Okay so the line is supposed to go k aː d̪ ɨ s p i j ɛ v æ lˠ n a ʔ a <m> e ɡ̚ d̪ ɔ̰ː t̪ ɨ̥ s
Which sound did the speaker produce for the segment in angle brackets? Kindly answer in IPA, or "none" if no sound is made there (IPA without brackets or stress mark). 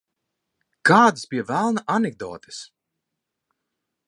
n